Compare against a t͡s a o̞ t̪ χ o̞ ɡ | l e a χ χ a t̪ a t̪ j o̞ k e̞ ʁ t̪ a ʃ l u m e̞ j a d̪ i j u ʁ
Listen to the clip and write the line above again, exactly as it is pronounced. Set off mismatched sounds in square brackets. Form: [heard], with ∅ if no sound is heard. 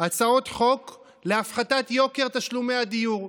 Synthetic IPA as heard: a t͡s a o̞ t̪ χ o̞ [k] | l e a [f] χ a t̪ a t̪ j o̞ k e̞ ʁ t̪ a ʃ l u m e̞ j a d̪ i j u ʁ